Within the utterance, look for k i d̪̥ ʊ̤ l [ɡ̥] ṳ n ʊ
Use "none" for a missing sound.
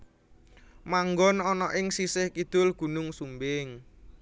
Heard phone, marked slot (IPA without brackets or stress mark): ɡ̥